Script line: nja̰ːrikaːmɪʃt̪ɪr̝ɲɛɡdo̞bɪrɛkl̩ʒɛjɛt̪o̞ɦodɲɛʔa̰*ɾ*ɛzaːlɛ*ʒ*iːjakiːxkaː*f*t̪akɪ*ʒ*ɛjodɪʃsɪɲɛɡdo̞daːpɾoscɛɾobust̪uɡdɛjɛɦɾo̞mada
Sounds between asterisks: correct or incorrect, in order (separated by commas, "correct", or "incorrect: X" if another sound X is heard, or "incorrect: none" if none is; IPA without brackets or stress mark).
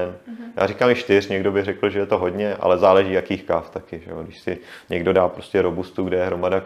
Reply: incorrect: l, correct, correct, correct